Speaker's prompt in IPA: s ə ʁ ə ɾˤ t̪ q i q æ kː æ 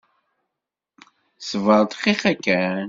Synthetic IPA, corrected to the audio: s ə v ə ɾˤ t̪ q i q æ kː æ